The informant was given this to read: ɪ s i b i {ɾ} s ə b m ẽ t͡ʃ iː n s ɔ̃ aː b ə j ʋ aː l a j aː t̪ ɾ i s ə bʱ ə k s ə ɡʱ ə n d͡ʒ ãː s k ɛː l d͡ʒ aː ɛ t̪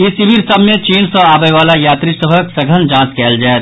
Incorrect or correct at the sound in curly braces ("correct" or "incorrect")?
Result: correct